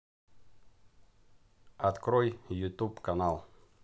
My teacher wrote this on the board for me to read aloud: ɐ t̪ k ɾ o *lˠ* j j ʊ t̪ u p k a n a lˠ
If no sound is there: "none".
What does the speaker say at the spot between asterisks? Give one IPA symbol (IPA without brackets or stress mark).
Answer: none